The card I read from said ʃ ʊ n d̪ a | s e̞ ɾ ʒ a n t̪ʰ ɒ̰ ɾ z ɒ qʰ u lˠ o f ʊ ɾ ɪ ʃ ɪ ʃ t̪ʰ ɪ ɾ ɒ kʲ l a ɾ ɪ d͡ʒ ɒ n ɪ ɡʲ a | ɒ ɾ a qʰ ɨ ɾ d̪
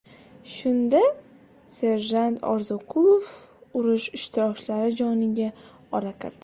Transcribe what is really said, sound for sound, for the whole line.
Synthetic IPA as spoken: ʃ ʊ n d̪ a | s e̞ ɾ ʒ a n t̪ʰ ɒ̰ ɾ z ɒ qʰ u lˠ o f ʊ ɾ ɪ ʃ ɪ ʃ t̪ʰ ɪ ɾ ɒ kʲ l a ɾ ɪ d͡ʒ ɒ n ɪ ɡʲ a | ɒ ɾ a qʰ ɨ ɾ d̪